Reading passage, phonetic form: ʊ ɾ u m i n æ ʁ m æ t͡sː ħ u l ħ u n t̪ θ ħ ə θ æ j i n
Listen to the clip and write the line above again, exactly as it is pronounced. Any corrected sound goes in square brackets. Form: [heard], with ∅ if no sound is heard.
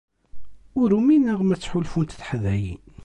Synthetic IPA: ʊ ɾ u m i n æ ʁ m æ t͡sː ħ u l [f] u n t̪ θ ħ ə [ð] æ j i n